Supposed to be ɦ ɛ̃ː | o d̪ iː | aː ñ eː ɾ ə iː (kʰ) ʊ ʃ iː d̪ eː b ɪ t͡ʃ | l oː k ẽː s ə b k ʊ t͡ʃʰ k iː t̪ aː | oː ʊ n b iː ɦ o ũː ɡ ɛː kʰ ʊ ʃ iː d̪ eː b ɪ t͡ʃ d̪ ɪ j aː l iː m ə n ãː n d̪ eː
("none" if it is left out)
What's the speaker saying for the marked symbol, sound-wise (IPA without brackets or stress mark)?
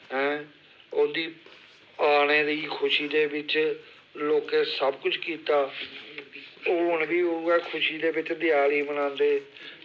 kʰ